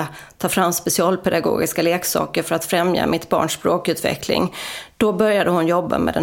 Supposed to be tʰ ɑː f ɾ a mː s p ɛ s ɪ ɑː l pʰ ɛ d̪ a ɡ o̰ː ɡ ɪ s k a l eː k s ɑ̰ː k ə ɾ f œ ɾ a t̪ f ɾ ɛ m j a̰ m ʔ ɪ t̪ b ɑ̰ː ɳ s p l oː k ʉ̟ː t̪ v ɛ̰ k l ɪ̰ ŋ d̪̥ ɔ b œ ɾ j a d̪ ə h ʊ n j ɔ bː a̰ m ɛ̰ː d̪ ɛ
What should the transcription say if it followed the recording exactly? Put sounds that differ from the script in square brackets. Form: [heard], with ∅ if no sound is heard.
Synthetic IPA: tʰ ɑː f ɾ a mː s p ɛ s ɪ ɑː l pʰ ɛ d̪ a ɡ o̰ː ɡ ɪ s k a l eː k s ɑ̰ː k ə ɾ f œ ɾ a t̪ f ɾ ɛ m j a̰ m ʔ ɪ t̪ b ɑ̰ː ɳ [ʂ] p [ɾ] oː k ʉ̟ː t̪ v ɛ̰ k l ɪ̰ ŋ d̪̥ ɔ b œ ɾ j a d̪ ə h ʊ n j ɔ bː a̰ m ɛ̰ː d̪ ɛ